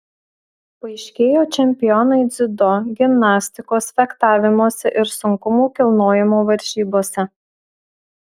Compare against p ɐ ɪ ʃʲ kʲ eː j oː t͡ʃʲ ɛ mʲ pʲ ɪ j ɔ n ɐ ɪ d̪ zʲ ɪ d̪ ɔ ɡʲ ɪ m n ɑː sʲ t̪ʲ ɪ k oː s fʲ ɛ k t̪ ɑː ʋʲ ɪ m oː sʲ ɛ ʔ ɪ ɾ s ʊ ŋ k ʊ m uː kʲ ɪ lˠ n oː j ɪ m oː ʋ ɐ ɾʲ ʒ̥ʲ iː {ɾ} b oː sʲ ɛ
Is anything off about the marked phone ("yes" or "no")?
yes